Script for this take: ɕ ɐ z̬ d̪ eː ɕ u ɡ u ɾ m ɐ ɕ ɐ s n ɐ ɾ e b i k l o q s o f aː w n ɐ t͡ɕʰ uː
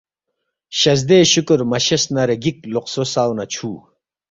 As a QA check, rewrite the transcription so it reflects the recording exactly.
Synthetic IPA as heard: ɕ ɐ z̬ d̪ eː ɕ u k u ɾ m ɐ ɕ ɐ s n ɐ ɾ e ɡ i k l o q s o s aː w n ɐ t͡ɕʰ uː